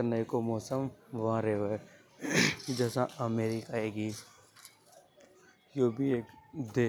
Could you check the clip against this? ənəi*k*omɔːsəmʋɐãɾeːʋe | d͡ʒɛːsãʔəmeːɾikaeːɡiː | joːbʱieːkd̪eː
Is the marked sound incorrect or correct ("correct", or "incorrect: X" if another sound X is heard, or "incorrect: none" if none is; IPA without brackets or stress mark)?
correct